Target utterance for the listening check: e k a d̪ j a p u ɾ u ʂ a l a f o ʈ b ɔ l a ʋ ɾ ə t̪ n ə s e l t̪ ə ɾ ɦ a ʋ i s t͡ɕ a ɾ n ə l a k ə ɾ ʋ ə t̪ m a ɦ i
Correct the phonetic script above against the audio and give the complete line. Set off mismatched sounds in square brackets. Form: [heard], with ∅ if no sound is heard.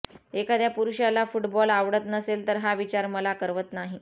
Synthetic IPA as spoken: e k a d̪ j a p u ɾ u [ɕ] a l a f [u] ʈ b ɔ l a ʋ [ɽ] ə t̪ n ə s e l t̪ ə ɾ ɦ a ʋ i [∅] t͡ɕ a ɾ [m] ə l a k ə ɾ ʋ ə t̪ [n] a ɦ i